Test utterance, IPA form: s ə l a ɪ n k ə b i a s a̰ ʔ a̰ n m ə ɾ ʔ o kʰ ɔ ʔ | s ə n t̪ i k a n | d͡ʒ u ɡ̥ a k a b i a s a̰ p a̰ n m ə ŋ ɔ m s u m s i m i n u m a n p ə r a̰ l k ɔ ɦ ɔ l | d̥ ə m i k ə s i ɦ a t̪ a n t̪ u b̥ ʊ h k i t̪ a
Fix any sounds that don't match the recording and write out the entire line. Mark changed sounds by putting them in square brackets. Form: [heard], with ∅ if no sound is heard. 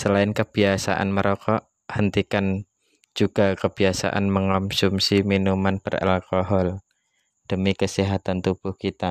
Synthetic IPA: s ə l a ɪ n k ə b i a s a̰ ʔ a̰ n m ə ɾ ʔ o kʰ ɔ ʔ | [h] ə n t̪ i k a n | d͡ʒ u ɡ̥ a k [ə] b i a s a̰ [ʔ] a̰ n m ə ŋ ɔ m s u m s i m i n u m a n p ə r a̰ l k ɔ ɦ ɔ l | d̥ ə m i k ə s i ɦ a t̪ a n t̪ u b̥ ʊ h k i t̪ a